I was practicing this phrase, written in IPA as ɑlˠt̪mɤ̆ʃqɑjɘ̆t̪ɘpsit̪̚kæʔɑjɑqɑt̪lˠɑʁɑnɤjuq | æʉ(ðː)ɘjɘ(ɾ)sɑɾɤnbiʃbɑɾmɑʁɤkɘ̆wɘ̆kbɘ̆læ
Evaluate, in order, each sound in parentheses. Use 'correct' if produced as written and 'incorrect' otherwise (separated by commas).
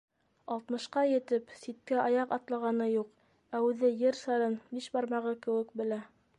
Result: incorrect, correct